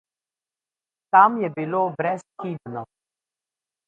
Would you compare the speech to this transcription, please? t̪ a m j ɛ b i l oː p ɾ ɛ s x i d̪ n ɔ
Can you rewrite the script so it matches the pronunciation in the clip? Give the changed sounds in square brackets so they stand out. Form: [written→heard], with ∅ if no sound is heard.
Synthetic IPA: t̪ a m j ɛ b i l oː [p→b] ɾ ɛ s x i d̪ n ɔ